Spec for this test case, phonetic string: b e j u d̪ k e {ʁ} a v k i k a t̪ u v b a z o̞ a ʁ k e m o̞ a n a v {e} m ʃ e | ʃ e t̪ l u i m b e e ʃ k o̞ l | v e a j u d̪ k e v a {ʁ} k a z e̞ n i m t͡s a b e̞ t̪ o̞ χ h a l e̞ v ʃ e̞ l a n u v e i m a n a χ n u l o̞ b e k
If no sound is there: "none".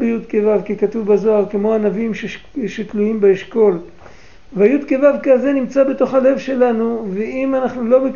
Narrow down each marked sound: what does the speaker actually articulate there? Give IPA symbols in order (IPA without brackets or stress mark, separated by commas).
v, i, v